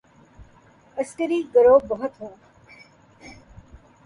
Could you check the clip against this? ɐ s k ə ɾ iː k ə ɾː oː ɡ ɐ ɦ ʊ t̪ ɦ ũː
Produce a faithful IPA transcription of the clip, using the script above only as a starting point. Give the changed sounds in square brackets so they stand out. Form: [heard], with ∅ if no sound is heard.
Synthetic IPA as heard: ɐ s k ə ɾ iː [ɡ] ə [ɾ] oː [b] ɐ ɦ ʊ t̪ ɦ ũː